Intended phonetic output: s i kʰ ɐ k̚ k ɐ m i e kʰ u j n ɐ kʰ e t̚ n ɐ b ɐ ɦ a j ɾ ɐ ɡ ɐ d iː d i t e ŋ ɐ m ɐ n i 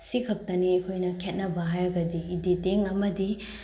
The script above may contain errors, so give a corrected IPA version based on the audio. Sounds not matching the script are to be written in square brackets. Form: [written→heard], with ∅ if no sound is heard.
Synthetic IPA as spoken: s i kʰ ɐ k̚ [k→t] ɐ [m→n] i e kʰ [u→o] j n ɐ kʰ e t̚ n ɐ b ɐ ɦ a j ɾ ɐ ɡ ɐ d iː d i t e ŋ ɐ m ɐ [n→d] i